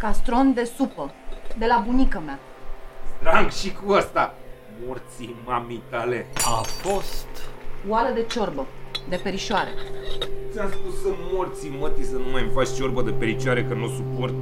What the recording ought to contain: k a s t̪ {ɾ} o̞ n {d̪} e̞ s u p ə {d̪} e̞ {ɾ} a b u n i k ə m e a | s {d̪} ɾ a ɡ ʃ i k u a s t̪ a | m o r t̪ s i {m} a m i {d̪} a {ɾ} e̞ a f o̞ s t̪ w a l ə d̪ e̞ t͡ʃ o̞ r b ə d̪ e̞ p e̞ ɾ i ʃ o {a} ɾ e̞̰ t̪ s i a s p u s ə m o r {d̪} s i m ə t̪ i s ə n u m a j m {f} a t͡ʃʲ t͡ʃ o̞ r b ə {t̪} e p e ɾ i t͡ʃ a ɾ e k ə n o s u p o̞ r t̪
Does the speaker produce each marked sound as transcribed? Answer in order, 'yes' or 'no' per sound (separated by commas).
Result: yes, yes, yes, no, no, yes, no, no, yes, no, yes, no